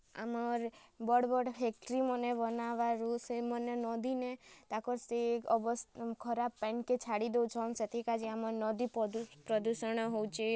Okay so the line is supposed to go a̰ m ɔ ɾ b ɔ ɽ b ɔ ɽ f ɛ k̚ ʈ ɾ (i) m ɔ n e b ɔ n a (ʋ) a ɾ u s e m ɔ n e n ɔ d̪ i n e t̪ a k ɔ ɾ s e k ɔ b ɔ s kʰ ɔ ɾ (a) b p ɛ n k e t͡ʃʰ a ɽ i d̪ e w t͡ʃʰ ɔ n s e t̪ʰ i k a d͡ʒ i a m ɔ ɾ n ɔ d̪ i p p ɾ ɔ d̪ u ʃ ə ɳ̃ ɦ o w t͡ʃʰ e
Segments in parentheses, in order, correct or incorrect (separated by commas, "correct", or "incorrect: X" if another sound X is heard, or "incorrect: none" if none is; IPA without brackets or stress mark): correct, correct, correct